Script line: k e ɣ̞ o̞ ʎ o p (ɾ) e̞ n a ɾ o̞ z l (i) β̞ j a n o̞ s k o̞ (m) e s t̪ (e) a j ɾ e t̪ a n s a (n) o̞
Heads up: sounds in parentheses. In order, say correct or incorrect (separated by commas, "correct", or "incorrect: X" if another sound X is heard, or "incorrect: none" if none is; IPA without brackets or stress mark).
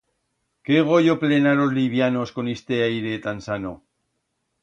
incorrect: l, correct, incorrect: n, correct, correct